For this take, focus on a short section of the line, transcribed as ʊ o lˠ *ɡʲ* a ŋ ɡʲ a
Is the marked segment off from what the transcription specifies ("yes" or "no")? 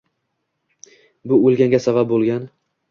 no